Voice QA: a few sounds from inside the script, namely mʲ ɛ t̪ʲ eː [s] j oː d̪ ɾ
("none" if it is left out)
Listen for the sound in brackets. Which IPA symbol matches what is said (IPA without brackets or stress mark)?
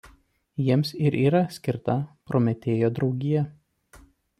none